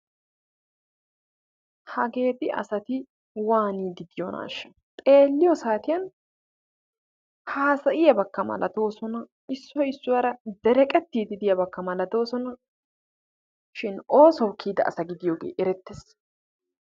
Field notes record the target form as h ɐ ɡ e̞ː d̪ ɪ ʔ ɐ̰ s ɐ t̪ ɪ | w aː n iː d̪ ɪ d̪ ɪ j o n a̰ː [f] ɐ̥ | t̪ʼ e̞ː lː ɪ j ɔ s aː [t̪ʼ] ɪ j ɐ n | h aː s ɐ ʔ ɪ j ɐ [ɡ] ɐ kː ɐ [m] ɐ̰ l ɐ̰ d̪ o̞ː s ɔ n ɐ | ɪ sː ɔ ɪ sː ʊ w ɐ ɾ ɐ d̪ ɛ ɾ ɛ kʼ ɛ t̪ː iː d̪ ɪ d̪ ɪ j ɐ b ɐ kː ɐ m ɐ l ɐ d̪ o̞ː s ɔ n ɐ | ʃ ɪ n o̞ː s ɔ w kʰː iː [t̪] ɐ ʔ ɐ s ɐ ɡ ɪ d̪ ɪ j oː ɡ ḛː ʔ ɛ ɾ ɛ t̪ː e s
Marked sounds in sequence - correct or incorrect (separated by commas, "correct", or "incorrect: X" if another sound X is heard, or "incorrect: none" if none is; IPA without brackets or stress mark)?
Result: incorrect: ʃ, incorrect: t̪, incorrect: b, correct, incorrect: d̪